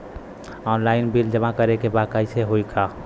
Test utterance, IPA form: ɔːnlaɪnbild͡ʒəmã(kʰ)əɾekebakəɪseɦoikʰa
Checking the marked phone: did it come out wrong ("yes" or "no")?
yes